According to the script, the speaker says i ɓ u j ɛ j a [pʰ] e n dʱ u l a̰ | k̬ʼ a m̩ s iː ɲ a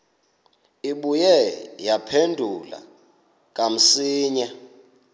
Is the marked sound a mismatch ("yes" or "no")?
no